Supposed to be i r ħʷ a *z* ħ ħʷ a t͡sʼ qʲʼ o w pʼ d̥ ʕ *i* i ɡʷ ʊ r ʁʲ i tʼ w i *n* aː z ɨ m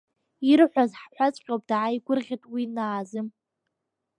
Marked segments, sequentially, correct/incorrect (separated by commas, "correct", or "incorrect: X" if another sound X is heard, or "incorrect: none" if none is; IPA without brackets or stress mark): correct, incorrect: a, correct